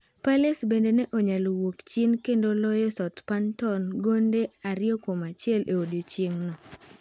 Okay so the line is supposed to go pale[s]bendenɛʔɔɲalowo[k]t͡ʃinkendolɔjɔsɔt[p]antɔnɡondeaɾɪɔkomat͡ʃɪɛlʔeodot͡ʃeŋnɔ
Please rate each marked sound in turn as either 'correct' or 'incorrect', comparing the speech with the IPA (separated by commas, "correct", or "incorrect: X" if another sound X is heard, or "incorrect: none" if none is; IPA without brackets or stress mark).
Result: correct, correct, correct